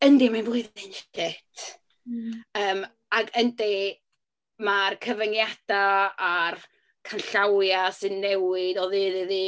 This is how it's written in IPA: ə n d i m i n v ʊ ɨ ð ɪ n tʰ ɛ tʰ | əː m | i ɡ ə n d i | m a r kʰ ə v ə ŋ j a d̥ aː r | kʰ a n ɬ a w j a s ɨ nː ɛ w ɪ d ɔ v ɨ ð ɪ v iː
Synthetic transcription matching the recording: ə n d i m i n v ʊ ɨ ð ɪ n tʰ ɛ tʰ | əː m | a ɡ ə n d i | m a r kʰ ə v ə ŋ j a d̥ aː r | kʰ a n ɬ a w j a s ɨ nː ɛ w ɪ d ɔ ð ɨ ð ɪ ð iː